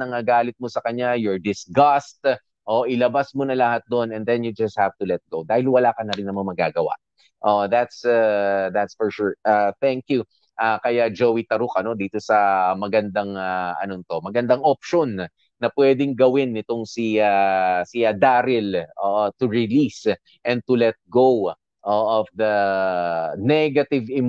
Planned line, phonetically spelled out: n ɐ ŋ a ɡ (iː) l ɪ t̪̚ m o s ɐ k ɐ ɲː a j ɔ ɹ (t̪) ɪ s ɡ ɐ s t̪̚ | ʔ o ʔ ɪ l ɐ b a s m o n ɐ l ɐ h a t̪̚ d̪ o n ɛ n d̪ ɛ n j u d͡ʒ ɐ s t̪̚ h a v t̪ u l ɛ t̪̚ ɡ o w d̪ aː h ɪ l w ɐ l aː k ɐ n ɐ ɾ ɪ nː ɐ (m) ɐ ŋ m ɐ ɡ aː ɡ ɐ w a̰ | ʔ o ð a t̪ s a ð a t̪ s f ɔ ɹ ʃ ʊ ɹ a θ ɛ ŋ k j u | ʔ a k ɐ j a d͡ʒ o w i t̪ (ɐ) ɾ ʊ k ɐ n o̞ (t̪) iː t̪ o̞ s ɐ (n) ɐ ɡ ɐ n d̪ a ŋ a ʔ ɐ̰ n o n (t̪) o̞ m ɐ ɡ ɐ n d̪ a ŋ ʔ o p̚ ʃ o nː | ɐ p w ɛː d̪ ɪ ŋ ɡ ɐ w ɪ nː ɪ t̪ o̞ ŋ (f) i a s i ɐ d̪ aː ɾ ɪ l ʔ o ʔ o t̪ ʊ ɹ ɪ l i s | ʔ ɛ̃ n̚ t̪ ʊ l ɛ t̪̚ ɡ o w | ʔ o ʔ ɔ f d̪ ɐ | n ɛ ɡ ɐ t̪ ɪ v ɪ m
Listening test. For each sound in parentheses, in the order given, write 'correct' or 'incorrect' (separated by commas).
incorrect, incorrect, correct, correct, incorrect, incorrect, correct, incorrect